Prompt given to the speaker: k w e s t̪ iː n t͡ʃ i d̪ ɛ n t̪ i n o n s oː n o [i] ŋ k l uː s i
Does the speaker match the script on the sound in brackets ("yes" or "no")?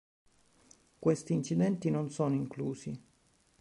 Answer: yes